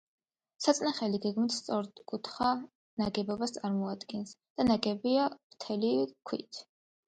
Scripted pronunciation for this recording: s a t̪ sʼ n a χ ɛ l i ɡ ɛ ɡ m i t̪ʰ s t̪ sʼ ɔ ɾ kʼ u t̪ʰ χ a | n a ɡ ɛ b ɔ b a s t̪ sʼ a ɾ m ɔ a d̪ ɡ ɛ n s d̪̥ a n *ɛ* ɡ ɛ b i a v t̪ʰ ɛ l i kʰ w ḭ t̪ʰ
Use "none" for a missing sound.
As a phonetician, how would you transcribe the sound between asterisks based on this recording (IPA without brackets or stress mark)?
a